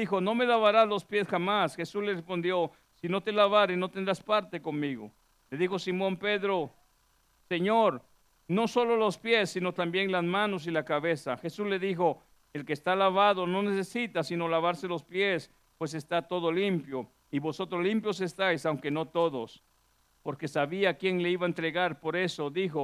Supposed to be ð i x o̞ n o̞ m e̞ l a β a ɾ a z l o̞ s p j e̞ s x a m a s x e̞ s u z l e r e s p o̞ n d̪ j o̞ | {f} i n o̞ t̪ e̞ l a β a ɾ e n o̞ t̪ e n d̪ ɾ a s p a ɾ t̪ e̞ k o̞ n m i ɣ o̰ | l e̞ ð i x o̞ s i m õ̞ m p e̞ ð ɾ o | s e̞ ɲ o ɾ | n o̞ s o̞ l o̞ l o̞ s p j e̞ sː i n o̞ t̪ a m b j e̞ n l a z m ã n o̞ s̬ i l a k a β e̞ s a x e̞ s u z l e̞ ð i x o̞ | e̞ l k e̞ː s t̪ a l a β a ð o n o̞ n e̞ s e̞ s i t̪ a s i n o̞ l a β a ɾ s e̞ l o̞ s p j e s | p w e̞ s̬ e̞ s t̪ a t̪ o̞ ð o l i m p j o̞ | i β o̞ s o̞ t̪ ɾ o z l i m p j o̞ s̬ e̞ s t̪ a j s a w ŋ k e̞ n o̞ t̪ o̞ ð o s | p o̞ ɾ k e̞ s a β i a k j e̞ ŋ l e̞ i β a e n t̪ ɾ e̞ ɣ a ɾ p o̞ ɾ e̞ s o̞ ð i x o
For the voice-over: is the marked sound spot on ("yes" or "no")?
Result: no